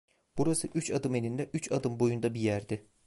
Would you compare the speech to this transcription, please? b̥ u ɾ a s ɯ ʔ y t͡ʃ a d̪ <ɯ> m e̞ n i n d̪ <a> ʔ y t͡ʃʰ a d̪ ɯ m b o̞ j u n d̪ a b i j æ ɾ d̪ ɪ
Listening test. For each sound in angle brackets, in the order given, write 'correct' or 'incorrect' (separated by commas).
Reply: correct, incorrect